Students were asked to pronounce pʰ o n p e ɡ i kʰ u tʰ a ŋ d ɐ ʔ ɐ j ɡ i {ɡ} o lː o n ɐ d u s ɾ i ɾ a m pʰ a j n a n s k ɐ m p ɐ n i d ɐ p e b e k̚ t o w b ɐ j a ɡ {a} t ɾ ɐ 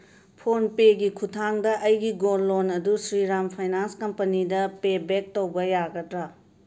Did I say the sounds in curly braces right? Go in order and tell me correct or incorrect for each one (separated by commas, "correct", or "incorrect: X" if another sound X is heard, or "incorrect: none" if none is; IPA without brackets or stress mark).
correct, incorrect: ɐ